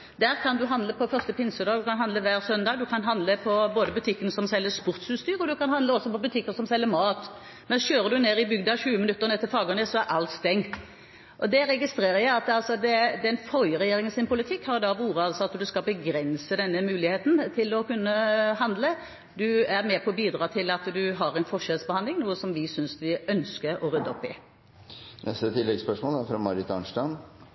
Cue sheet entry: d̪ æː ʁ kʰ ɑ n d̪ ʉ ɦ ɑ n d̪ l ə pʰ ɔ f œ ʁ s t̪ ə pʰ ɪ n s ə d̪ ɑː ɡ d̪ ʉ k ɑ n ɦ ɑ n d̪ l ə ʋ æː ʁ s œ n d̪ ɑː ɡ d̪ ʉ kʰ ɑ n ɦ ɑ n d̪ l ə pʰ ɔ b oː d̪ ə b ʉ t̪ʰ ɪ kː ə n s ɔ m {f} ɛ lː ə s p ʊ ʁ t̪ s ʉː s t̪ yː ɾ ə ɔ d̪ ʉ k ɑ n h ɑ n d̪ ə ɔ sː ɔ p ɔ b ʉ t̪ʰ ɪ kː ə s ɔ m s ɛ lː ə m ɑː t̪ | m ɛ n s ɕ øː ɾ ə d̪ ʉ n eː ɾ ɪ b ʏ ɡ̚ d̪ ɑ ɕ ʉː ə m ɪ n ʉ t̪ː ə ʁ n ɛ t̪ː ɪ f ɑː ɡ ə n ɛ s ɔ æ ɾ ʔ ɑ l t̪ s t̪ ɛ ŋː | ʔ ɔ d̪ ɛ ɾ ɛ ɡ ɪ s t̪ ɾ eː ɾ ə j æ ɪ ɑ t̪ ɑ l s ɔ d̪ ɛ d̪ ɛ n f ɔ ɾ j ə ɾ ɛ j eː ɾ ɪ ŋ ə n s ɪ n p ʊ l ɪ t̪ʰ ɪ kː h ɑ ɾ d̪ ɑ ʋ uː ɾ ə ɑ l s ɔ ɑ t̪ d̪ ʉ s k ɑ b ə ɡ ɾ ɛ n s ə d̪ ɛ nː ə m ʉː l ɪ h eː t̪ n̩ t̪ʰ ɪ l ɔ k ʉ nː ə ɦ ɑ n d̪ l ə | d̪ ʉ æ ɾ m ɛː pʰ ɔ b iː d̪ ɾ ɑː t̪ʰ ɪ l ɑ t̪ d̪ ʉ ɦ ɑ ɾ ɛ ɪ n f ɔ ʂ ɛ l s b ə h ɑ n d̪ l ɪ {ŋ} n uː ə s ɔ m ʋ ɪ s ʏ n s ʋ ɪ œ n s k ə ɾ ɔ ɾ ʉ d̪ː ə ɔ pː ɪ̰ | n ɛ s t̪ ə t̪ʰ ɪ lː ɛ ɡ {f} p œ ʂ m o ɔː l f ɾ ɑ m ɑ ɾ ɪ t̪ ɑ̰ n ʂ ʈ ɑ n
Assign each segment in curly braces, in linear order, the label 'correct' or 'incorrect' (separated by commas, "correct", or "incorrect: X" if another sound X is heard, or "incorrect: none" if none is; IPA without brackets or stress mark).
incorrect: s, correct, incorrect: s